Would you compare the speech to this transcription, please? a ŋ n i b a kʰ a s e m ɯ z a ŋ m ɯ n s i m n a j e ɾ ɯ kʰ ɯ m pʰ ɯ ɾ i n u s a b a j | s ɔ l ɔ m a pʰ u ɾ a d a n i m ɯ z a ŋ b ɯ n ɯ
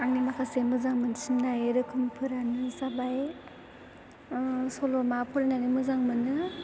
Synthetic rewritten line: a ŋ n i m a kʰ a s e m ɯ z a ŋ m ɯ n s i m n a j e ɾ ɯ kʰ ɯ m pʰ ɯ ɾ a n ɯ s a b a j | s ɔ l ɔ m a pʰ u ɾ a n a n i m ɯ z a ŋ m ɯ n ɯ